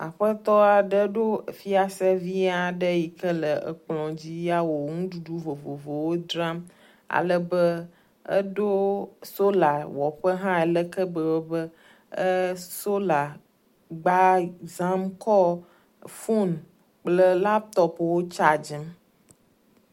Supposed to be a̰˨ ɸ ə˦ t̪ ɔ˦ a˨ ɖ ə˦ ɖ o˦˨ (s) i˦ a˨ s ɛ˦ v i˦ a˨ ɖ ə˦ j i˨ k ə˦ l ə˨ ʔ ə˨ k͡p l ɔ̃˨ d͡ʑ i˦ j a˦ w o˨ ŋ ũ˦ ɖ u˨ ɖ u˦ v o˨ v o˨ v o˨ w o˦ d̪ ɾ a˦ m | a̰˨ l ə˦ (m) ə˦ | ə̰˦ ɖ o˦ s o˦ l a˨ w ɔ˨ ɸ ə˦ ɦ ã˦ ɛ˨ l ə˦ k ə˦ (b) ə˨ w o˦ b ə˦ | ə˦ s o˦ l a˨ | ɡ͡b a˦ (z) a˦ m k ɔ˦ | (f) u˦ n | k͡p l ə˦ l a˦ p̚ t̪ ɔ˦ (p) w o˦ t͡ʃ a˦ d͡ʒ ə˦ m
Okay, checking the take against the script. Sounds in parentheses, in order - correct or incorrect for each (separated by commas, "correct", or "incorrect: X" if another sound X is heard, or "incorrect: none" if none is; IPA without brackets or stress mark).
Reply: incorrect: f, incorrect: b, correct, correct, correct, correct